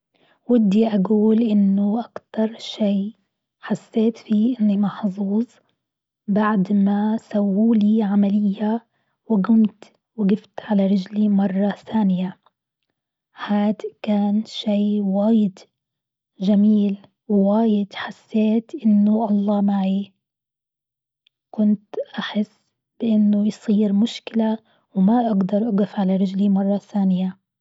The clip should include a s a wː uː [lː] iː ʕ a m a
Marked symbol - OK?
no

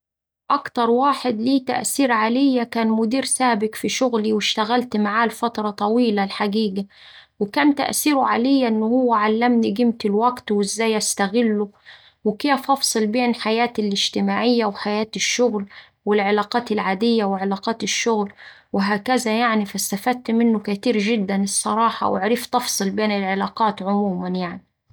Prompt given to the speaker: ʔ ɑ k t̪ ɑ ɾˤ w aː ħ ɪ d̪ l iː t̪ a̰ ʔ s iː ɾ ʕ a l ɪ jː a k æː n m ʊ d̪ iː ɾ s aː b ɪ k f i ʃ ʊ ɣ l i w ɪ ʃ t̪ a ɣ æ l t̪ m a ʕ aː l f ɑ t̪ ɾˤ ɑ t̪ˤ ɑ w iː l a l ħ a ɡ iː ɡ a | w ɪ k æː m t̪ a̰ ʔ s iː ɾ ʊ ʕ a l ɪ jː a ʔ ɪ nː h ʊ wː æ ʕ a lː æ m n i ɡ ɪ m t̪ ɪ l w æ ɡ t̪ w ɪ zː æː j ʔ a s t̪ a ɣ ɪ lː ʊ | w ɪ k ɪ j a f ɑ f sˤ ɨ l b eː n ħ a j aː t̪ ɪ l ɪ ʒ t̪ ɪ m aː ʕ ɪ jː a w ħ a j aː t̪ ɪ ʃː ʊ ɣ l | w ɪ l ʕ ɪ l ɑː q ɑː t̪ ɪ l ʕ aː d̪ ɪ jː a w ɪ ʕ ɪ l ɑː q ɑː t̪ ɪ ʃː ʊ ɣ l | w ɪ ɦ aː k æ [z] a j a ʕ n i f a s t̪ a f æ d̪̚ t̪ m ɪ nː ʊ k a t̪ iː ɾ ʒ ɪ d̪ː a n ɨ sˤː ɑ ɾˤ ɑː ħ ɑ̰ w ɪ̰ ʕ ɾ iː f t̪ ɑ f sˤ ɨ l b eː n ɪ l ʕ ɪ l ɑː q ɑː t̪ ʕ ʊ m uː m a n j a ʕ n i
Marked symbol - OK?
yes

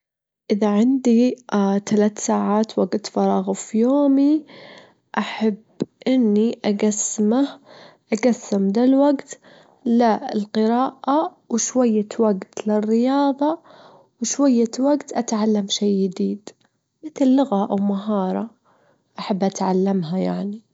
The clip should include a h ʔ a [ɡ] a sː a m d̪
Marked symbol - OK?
yes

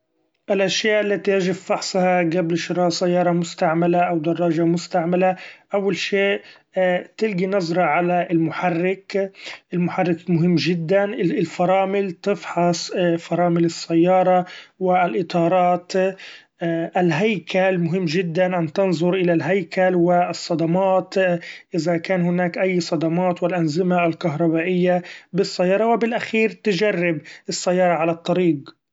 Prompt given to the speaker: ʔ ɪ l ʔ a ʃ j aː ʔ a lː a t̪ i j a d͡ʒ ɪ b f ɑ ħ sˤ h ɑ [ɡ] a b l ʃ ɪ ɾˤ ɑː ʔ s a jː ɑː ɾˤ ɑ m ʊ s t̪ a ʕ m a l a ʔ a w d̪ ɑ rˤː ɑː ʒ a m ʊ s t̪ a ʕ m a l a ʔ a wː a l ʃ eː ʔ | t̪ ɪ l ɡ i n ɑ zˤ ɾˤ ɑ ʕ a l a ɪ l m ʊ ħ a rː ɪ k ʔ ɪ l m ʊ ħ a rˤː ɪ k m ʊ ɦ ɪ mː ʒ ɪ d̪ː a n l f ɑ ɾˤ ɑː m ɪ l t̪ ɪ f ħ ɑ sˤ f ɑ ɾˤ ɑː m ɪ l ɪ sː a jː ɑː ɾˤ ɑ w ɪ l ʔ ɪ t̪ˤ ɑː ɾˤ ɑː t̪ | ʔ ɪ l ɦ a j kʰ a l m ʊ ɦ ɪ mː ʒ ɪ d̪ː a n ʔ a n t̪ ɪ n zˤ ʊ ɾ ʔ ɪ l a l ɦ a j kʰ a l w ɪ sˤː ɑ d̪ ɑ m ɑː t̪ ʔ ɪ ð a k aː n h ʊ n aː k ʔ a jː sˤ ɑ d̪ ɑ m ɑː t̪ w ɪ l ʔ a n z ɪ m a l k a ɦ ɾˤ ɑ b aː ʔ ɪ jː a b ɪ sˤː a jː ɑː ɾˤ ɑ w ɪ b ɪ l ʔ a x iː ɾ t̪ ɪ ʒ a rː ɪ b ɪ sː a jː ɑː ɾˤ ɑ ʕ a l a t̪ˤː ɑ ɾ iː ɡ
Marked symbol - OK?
yes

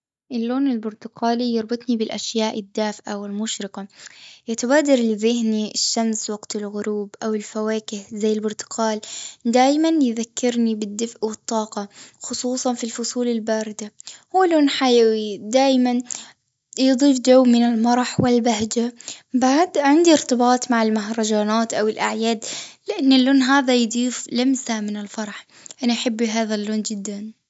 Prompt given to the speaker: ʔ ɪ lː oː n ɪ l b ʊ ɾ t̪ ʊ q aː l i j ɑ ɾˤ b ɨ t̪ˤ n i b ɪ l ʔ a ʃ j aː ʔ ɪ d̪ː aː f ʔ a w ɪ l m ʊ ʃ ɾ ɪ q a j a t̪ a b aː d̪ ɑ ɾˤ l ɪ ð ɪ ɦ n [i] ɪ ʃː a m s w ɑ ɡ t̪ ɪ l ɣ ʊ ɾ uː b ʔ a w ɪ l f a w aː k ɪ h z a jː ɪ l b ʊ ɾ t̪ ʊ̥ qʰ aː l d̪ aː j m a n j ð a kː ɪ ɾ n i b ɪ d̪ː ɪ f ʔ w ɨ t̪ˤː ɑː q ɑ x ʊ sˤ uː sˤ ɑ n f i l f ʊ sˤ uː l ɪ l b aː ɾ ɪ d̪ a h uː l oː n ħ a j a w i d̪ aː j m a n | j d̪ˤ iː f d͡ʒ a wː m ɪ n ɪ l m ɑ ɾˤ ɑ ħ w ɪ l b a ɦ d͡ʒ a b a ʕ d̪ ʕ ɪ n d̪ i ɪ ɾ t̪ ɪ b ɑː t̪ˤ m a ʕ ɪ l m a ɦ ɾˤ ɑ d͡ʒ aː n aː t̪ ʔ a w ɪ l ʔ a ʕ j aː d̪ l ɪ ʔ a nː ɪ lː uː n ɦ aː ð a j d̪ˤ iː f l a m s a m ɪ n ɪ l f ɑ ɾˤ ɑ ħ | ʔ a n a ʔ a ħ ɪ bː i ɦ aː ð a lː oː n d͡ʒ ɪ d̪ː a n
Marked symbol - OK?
yes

